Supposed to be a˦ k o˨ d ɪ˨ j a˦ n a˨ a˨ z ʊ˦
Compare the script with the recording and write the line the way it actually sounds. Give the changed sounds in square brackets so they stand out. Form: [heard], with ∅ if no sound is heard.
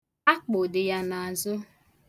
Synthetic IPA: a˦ [k͡p] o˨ d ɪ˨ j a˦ n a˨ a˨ z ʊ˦